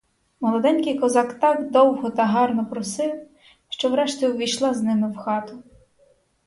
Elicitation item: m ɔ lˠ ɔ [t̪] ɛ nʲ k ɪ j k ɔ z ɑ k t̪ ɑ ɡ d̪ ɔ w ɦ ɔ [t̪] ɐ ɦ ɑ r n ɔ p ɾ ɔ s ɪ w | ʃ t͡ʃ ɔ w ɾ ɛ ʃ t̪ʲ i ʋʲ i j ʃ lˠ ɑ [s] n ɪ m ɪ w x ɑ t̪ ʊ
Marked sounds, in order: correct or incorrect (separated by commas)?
incorrect, correct, incorrect